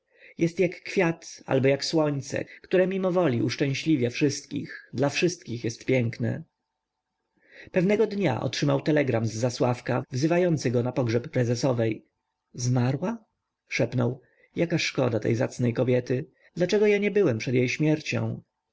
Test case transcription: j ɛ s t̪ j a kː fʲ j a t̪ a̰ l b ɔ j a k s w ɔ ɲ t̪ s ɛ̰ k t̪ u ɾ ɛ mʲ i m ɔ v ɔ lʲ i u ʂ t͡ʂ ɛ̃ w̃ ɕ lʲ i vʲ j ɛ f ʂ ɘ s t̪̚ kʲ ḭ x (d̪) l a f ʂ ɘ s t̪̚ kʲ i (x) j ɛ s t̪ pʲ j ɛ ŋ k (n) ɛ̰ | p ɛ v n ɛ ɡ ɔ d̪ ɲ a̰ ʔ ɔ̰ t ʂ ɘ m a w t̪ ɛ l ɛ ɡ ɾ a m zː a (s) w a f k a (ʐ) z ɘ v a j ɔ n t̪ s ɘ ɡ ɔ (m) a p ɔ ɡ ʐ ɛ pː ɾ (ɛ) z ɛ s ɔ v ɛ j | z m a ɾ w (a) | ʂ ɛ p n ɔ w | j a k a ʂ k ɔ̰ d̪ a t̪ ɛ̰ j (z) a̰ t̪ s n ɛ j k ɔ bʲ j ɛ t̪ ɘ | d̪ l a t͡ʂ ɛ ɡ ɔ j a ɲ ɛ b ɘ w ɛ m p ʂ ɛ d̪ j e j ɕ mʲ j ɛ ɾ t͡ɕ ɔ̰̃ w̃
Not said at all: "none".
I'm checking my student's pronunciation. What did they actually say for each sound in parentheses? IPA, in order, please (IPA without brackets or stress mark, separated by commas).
d̪, x, n, s, v, n, ɛ, a, z